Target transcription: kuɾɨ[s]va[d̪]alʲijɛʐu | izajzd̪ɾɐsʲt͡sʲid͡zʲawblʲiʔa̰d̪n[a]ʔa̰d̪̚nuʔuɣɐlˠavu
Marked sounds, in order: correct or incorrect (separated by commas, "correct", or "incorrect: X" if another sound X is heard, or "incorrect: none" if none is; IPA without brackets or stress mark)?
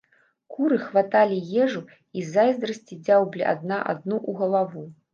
incorrect: x, incorrect: t̪, correct